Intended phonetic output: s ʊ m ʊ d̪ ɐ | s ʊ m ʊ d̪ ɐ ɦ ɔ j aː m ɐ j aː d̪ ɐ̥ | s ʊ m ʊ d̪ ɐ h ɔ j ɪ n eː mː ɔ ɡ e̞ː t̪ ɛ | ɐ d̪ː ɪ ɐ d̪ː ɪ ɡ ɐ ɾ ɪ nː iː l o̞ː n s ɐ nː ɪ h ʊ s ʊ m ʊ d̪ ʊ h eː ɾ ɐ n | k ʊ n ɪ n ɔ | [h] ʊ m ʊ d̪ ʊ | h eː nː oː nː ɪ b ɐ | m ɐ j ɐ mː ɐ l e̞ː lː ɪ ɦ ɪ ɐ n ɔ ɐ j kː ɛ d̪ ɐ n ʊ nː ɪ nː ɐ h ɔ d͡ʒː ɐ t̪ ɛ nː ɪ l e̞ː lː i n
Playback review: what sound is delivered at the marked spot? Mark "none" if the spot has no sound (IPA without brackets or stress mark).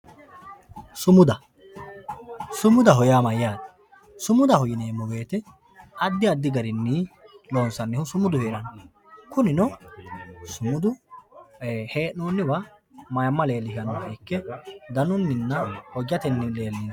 s